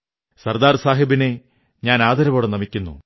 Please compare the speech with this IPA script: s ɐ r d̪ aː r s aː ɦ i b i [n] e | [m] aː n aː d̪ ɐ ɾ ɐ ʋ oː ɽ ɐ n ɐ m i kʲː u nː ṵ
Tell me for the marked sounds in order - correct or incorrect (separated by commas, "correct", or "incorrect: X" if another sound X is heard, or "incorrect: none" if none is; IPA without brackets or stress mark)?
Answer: correct, incorrect: ɲ